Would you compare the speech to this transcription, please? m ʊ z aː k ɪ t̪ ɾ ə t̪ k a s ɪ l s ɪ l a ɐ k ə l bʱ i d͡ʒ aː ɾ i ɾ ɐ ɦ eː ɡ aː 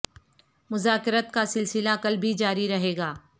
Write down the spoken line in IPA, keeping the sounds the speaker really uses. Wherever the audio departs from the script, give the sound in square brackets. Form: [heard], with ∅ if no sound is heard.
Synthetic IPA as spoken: m ʊ z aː k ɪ [∅] ɾ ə t̪ k a s ɪ l s ɪ l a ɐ k ə l bʱ i d͡ʒ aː ɾ i ɾ ɐ ɦ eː ɡ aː